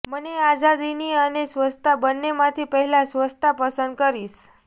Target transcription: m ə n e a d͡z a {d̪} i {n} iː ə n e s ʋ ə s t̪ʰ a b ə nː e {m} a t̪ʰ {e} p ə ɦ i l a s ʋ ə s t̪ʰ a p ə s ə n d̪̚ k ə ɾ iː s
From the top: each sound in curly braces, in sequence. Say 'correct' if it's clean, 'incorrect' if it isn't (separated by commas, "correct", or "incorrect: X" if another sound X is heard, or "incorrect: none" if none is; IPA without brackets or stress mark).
correct, correct, correct, incorrect: i